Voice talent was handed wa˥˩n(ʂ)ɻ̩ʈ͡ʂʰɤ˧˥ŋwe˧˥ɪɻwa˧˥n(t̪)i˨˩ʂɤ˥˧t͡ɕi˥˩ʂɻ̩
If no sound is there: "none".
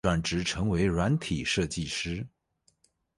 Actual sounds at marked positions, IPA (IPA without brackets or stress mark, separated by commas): ʈ͡ʂ, t̪ʰ